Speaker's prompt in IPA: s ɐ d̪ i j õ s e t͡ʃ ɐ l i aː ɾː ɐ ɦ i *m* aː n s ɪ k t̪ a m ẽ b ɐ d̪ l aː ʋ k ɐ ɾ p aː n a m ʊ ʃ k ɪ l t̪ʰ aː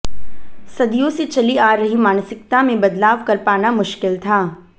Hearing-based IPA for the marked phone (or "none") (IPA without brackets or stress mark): m